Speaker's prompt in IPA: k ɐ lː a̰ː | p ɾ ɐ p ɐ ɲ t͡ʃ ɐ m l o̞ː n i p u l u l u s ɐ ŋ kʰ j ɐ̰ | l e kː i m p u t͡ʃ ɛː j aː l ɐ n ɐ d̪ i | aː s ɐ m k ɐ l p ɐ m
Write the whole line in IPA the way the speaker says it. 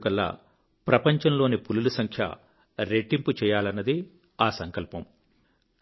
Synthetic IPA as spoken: k ɐ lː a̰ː | p ɾ ɐ p ɐ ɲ t͡ʃ ɐ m l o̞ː n i p u l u l u s ɐ ŋ kʰ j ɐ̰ | ɾ e ʈː i m p u t͡ʃ ɛː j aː l ɐ nː ɐ d̪ i | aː s ɐ ŋ k ɐ l p ɐ m